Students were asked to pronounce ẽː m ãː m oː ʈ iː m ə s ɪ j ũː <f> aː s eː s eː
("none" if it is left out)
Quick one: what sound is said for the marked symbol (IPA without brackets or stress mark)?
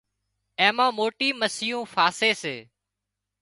f